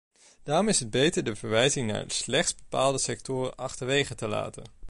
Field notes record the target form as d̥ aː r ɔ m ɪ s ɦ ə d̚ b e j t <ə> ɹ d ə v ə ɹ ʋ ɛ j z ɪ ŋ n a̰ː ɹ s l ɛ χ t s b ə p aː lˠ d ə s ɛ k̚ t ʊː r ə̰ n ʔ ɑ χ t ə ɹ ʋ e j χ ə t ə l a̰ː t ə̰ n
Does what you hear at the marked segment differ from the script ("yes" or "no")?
no